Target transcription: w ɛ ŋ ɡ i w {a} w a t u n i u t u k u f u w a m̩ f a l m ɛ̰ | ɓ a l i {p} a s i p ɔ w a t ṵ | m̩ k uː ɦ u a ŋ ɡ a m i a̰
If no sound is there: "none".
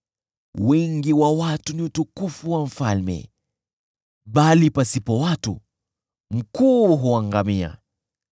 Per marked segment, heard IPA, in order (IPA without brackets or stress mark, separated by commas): a, p